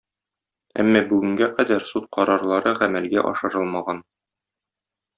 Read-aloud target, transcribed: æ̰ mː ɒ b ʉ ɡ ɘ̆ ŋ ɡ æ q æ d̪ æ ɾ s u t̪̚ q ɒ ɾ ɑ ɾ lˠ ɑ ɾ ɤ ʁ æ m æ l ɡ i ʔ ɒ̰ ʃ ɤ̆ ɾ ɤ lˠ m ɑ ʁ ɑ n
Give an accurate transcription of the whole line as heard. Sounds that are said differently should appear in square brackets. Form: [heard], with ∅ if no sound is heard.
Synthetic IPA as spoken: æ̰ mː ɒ b ʉ ɡ ɘ̆ ŋ ɡ æ q æ d̪ æ ɾ s u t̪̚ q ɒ ɾ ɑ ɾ lˠ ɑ ɾ ɤ ʁ æ m æ l ɡ [æ] ʔ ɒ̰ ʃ ɤ̆ ɾ ɤ lˠ m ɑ ʁ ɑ n